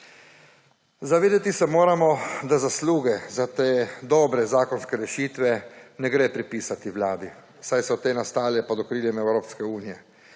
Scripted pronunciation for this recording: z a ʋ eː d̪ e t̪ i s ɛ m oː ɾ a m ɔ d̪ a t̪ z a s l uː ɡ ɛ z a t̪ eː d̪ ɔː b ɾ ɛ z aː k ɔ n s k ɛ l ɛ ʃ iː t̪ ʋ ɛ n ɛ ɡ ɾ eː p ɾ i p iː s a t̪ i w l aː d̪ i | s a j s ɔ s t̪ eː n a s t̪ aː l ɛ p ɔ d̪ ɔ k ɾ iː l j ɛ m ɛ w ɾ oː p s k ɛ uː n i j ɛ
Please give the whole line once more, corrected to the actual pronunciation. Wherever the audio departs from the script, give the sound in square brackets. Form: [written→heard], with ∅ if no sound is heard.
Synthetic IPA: z a ʋ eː d̪ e t̪ i s ɛ m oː ɾ a m ɔ d̪ a [t̪→∅] z a s l uː ɡ ɛ z a t̪ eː d̪ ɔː b ɾ ɛ z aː k ɔ n s k ɛ [l→ɾ] ɛ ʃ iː t̪ ʋ ɛ n ɛ ɡ ɾ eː p ɾ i p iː s a t̪ i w l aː d̪ i | s a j s ɔ [s→∅] t̪ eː n a s t̪ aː l ɛ p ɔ d̪ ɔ k ɾ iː l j ɛ m ɛ w ɾ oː p s k ɛ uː n i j ɛ